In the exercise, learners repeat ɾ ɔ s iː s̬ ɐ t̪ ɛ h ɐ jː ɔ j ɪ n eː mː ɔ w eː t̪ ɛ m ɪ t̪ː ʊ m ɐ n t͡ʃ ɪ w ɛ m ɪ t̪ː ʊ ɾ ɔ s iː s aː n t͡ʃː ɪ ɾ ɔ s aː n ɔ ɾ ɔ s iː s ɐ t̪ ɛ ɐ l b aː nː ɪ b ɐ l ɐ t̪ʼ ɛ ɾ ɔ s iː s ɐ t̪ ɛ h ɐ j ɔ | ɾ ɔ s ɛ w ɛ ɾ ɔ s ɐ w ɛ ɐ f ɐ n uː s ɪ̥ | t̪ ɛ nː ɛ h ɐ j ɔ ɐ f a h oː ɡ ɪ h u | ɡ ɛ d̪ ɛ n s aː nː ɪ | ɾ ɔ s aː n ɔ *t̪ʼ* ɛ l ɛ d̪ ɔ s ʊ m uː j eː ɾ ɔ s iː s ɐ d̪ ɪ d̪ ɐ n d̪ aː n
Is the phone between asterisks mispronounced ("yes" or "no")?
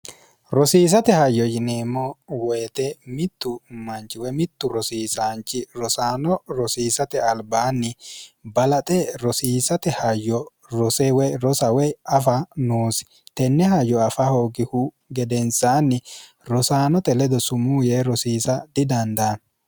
yes